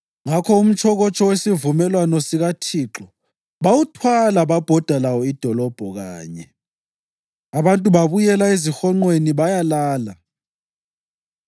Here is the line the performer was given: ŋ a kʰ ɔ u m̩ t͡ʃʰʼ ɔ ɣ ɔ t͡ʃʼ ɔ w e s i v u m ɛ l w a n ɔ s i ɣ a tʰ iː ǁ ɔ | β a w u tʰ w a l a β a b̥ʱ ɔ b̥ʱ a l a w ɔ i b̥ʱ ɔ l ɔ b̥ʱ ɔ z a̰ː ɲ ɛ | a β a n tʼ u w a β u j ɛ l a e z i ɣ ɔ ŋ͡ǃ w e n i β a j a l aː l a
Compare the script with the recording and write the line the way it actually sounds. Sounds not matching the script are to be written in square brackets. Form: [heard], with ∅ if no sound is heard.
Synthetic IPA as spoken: ŋ a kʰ ɔ u m̩ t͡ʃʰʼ ɔ ɣ ɔ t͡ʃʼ ɔ w e s i v u m ɛ l w a n ɔ s i ɣ a tʰ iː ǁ ɔ | β a w u tʰ w a l a β a b̥ʱ ɔ [d̥ʱ] a l a w ɔ i [d̥ʱ] ɔ l ɔ b̥ʱ ɔ [ɣ] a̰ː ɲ ɛ | a β a n tʼ u [β] a β u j ɛ l a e z i [x] ɔ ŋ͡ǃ w e n i β a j a l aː l a

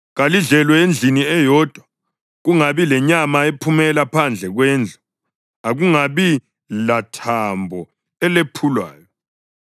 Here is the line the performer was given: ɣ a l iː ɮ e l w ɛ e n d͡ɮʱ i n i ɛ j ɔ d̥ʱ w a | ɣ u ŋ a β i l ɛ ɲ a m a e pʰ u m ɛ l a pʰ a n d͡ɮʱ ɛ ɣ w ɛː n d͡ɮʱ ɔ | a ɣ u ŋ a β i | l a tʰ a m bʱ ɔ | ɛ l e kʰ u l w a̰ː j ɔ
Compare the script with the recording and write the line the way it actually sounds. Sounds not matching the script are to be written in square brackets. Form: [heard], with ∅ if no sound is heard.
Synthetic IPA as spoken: ɣ a l [i] ɮ [ɛ] l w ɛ e n d͡ɮʱ i n i ɛ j ɔ d̥ʱ w a | ɣ u ŋ a β i l ɛ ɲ a m a e pʰ u m ɛ l a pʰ a n d͡ɮʱ ɛ ɣ w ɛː n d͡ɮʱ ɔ | a ɣ u ŋ a β i | l a tʰ a m bʱ ɔ | ɛ l e [pʰ] u l w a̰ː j ɔ

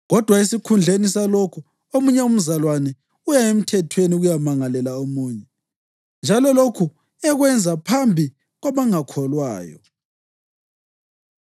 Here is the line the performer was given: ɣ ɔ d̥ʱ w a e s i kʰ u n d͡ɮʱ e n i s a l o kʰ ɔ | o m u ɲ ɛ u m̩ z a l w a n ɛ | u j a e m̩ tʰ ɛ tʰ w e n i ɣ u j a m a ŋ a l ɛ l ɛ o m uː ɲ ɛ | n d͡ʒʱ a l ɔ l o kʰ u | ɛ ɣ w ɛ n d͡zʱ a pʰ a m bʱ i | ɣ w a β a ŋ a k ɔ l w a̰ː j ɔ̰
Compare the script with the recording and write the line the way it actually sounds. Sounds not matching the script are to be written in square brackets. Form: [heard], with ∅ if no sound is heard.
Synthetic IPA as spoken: ɣ ɔ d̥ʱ w a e s i kʰ u n d͡ɮʱ e n i s a l o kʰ [u] | o m u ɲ ɛ u m̩ z a l w a n ɛ | u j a e m̩ tʰ ɛ tʰ w e n i ɣ u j a m a ŋ a l ɛ l [a] o m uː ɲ ɛ | n d͡ʒʱ a l ɔ l o kʰ u | ɛ ɣ w ɛ n d͡zʱ a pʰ a m bʱ i | ɣ w a β a ŋ a [kʰ] ɔ l w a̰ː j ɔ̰

